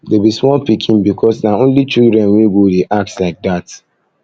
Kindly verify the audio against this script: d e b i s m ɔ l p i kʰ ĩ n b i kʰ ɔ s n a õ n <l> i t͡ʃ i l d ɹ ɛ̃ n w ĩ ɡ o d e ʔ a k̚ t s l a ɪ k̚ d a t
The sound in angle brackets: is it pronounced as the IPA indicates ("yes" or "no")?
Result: yes